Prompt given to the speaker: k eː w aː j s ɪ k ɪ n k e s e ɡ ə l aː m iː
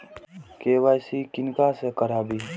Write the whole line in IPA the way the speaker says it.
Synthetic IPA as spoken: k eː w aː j s i k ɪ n k a s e k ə ɾ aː b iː